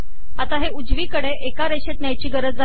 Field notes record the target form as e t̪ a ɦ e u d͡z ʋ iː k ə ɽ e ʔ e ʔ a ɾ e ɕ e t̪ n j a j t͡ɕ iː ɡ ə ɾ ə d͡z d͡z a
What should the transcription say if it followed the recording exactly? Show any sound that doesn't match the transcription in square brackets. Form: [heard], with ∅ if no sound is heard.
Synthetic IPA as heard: [a] t̪ a ɦ e u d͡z ʋ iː k ə ɽ e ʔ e [k] a ɾ e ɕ e t̪ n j a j t͡ɕ iː ɡ ə ɾ ə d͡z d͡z a